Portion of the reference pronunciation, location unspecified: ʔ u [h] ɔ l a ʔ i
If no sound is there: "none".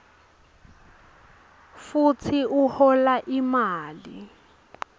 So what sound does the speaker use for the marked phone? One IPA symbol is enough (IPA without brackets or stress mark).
h